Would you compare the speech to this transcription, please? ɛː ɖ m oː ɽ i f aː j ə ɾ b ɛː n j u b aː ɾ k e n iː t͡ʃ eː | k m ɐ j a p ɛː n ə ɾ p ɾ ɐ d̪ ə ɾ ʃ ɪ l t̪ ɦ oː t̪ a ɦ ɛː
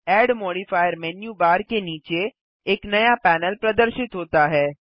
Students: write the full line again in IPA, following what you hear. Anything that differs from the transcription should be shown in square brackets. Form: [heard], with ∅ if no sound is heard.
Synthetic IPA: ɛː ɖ m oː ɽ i f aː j ə ɾ [m] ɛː n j u b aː ɾ k e n iː t͡ʃ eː | k [n] ɐ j a p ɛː n ə [l] p ɾ ɐ d̪ ə ɾ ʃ ɪ [∅] t̪ ɦ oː t̪ a ɦ ɛː